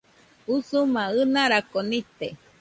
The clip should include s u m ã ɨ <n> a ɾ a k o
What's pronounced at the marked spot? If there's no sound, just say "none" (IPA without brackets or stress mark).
n